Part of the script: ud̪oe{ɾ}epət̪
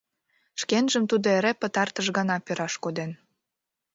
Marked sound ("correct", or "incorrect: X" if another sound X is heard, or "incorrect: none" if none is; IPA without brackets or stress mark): correct